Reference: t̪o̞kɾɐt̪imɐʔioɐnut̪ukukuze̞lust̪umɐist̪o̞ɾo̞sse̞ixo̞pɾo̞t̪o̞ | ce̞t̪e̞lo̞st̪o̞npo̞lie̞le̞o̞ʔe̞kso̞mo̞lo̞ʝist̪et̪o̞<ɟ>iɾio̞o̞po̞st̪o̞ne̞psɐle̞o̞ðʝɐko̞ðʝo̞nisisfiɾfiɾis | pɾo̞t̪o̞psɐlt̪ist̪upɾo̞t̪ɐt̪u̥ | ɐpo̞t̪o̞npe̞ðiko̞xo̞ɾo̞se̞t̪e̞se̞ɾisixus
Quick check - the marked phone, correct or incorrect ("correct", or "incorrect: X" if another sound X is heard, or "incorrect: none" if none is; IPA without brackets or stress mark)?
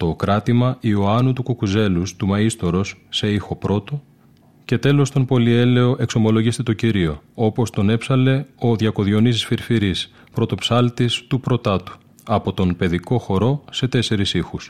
incorrect: c